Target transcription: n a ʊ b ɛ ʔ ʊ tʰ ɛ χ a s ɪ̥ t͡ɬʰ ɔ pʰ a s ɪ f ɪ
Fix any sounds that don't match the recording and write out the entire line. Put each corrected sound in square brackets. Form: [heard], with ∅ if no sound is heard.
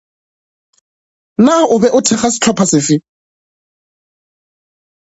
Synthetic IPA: n a ʊ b ɛ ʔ ʊ tʰ ɛ χ a s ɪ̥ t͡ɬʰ ɔ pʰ a s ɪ f ɪ